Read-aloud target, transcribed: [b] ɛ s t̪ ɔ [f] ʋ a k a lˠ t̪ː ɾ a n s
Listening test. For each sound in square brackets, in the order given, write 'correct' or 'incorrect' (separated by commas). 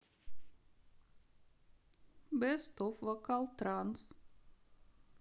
correct, correct